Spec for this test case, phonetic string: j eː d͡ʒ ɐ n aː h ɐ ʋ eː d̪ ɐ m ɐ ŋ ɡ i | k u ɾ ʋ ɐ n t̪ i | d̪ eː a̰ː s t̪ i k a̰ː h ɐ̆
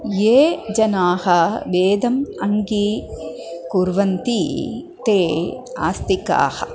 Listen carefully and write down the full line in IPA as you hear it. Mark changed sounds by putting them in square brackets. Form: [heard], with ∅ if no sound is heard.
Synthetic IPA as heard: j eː d͡ʒ ɐ n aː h ɐ ʋ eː d̪ ɐ m ɐ ŋ ɡ i | k u ɾ ʋ ɐ n t̪ i | [t̪] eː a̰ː s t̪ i k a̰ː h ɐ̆